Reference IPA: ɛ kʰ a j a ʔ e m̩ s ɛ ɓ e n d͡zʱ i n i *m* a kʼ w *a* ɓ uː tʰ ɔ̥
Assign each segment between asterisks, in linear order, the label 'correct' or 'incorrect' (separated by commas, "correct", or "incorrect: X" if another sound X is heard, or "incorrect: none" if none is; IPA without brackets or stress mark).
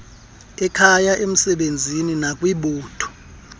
incorrect: n, incorrect: i